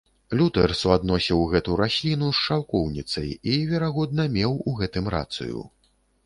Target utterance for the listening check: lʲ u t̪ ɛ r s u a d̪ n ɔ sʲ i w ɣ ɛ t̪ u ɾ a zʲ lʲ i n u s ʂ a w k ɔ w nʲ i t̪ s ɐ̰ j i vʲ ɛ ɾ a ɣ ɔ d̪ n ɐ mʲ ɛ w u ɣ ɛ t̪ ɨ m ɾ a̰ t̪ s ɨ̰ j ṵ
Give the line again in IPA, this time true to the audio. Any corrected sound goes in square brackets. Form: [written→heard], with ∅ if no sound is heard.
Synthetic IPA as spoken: lʲ u t̪ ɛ r s u a d̪ n ɔ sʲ i w ɣ ɛ t̪ u ɾ a [zʲ→sʲ] lʲ i n u s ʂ a w k ɔ w nʲ i t̪ s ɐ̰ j i vʲ ɛ ɾ a ɣ ɔ d̪ n ɐ mʲ ɛ w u ɣ ɛ t̪ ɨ m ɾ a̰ t̪ s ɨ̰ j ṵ